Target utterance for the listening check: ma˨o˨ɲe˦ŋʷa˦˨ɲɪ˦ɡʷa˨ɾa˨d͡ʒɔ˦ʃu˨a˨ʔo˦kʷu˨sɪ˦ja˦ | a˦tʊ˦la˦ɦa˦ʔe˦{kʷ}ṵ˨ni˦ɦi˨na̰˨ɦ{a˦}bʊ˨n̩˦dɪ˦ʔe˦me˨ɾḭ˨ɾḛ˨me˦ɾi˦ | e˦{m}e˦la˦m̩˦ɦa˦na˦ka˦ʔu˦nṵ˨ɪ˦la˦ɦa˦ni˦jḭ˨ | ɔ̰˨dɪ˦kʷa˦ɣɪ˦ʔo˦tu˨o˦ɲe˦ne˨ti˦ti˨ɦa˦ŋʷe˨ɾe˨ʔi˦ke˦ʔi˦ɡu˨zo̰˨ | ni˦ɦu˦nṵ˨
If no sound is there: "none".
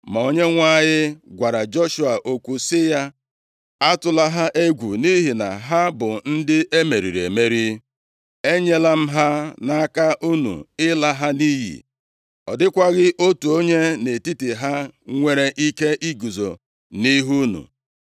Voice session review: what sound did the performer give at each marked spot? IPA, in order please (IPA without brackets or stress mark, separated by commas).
ɡʷ, a˦, ɲ